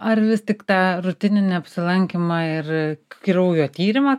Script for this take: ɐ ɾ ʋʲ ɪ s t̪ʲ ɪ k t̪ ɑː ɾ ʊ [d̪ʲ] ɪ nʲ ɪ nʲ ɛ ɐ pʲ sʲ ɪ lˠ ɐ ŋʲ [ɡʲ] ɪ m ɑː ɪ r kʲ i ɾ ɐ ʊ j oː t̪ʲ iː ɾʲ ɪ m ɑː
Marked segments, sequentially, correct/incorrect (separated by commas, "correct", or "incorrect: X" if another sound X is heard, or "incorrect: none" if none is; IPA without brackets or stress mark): incorrect: t̪ʲ, incorrect: kʲ